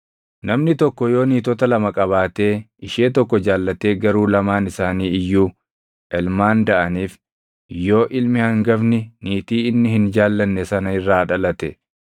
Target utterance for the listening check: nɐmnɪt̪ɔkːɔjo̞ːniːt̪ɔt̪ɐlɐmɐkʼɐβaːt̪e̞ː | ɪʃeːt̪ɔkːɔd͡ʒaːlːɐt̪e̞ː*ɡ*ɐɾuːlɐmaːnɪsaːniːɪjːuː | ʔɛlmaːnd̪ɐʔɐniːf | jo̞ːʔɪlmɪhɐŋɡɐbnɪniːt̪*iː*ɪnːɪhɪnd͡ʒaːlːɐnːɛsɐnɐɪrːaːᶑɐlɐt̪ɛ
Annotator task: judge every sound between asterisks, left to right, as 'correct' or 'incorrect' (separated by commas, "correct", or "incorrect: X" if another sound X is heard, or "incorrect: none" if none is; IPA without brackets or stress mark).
correct, correct